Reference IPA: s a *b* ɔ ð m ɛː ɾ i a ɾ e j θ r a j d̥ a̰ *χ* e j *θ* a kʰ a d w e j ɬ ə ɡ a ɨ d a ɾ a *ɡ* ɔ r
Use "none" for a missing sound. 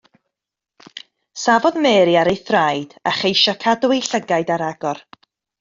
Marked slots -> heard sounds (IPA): v, χ, ʃ, ɡ

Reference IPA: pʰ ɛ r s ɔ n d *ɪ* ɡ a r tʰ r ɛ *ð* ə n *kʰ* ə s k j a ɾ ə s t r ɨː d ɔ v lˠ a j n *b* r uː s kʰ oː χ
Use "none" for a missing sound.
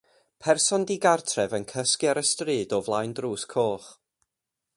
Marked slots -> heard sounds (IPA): i, v, kʰ, d

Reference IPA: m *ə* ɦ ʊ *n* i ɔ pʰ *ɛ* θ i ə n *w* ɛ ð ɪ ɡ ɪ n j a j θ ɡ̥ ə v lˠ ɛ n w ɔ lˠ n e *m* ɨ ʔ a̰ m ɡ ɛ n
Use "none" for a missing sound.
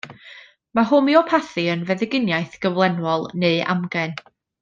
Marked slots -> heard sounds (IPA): a, m, a, v, none

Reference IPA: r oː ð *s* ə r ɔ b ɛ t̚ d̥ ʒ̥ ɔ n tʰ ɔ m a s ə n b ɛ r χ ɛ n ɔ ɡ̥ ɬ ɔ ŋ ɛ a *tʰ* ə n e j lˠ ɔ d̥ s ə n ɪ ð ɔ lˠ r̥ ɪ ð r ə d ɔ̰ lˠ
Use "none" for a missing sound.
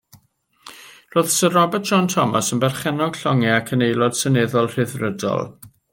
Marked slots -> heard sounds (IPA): s, kʰ

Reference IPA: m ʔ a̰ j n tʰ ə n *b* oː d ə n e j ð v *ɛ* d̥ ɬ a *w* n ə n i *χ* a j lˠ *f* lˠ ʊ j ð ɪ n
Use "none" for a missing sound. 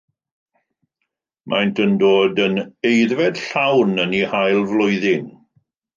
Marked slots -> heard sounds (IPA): d, ɛ, w, h, v

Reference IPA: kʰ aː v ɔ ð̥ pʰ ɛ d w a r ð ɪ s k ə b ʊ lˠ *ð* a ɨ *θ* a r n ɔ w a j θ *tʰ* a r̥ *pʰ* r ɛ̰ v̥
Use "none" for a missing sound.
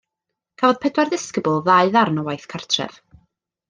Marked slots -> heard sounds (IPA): ð, ð, kʰ, tʰ

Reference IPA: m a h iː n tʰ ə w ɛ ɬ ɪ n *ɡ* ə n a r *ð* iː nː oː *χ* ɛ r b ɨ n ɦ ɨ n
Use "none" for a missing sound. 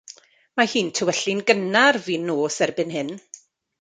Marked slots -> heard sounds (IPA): ɡ, v, s

